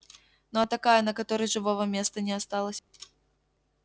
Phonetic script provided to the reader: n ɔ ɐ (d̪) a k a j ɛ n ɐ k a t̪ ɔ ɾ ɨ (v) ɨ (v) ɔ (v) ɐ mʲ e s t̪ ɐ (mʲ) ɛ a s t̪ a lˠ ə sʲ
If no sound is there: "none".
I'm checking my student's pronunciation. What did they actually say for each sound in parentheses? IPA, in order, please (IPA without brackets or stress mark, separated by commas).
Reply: t̪, ʐ, v, v, nʲ